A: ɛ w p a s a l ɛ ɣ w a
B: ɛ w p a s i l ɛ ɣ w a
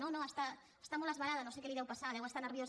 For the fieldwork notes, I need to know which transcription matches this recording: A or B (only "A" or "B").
A